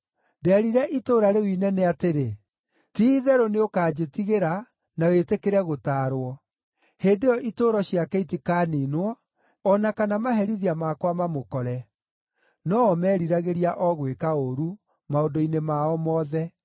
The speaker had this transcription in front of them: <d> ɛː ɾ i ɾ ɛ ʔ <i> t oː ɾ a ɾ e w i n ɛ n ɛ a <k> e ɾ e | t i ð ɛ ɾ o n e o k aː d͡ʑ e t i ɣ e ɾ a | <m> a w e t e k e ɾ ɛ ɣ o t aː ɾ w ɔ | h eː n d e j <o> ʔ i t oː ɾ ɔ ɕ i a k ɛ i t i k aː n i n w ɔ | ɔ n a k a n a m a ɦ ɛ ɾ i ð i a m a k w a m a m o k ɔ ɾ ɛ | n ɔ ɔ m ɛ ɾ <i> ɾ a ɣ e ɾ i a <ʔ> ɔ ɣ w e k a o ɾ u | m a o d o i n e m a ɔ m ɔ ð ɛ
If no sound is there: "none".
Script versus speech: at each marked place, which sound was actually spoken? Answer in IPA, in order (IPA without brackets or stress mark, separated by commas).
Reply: d, i, t, n, ɔ, i, ʔ